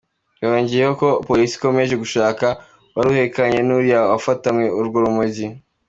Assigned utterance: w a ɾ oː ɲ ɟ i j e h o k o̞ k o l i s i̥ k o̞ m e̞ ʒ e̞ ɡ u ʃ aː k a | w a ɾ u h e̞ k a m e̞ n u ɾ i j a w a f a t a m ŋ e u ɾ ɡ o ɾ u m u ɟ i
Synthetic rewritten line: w a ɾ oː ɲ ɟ i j e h o k o̞ p o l i s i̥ k o̞ m e̞ ʒ e̞ ɡ u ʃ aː k a | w a ɾ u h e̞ k a ɲ e̞ n u ɾ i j a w a f a t a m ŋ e u ɾ ɡ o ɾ u m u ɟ i